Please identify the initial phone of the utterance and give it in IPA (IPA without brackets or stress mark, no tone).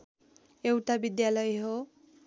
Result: e